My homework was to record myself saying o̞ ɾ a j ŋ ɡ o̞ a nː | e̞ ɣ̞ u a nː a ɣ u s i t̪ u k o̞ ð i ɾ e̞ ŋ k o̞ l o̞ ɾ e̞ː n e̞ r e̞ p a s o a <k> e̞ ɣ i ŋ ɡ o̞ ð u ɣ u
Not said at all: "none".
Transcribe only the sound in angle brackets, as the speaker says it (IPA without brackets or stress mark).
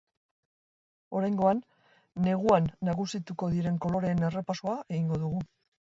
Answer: none